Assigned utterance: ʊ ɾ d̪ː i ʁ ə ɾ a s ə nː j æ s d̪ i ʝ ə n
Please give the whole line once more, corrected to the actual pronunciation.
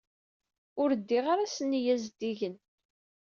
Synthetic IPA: ʊ ɾ d̪ː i ʁ a ɾ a s ə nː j æ z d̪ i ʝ ə n

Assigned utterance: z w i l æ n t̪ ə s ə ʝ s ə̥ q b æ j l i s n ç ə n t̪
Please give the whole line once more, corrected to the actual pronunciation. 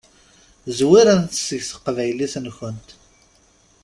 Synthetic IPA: z w i ɾ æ n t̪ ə s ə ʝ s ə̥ q v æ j l i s n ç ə n t̪

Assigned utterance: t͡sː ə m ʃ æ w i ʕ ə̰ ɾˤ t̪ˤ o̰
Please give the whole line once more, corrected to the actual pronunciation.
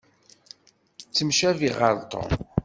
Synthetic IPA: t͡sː ə m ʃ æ v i ʁ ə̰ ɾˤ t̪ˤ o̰

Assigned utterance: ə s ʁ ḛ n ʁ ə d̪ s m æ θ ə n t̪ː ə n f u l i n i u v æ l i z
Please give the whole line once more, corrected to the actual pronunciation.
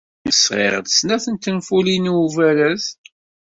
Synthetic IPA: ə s ʁ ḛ ʁ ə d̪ s n æ θ ə n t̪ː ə n f u l i n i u v æ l æ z

